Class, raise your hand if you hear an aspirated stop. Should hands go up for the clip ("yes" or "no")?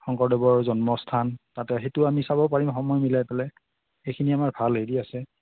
yes